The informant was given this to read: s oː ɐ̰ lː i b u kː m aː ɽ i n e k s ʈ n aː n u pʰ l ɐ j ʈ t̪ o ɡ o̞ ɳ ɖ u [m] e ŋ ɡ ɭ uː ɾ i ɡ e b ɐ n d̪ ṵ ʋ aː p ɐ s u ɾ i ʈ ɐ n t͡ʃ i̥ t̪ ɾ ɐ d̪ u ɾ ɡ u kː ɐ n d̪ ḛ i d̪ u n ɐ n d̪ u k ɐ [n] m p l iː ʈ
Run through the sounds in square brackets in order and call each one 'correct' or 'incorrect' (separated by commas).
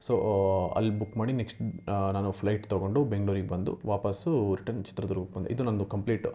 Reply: incorrect, incorrect